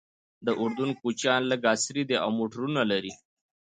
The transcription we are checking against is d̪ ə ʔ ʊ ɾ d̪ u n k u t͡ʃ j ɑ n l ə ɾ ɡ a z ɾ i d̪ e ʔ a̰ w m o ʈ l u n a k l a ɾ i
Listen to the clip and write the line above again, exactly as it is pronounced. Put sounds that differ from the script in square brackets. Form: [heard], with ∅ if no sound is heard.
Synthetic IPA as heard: d̪ ə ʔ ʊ ɾ d̪ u n k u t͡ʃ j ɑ n l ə [∅] ɡ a [s] ɾ i d̪ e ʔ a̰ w m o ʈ [ɾ] u n a [∅] l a ɾ i